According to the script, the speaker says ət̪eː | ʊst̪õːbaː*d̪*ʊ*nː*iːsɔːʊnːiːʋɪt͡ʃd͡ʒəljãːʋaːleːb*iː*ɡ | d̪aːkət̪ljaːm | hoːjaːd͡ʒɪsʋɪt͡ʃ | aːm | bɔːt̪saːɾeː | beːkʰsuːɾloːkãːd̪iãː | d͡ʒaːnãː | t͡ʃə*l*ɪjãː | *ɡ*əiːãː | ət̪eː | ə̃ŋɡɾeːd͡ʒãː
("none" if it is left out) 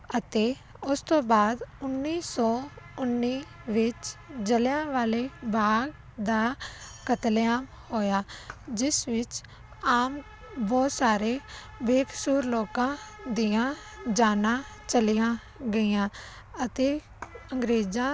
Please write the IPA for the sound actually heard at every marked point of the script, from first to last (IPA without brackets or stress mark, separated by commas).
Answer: d̪, nː, aː, l, ɡ